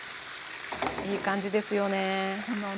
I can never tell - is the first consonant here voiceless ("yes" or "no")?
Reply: yes